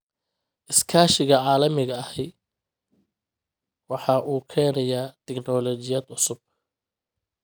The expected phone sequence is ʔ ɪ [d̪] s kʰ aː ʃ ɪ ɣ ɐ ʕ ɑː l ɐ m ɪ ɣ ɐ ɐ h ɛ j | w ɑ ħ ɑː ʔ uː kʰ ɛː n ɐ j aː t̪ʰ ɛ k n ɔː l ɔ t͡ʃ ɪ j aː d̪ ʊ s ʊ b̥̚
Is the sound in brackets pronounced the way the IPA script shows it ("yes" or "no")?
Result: no